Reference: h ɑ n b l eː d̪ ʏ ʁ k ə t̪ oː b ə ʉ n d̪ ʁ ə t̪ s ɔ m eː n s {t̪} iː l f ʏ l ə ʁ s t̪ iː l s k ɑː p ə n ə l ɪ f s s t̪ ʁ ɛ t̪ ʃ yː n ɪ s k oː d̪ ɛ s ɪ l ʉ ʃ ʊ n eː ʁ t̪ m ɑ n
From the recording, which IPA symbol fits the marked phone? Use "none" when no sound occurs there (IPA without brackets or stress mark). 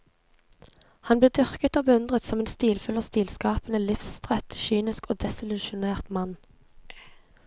t̪